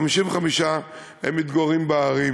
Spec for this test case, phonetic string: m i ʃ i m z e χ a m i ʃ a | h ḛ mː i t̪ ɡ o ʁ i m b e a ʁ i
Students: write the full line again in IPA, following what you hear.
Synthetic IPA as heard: m i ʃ i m v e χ a m i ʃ a | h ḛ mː i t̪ ɡ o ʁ i m b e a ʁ i